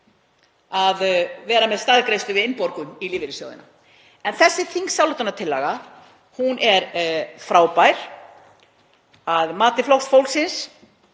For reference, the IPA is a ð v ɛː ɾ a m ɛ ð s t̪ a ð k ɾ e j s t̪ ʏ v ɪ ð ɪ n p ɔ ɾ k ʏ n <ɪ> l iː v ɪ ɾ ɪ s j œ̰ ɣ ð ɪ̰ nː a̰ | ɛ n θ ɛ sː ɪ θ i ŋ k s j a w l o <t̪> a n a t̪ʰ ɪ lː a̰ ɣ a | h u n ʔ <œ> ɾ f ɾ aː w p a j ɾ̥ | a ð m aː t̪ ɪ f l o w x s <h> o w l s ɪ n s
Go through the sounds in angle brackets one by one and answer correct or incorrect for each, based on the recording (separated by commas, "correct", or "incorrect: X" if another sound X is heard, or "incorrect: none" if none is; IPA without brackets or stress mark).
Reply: incorrect: i, correct, incorrect: ɛ, incorrect: f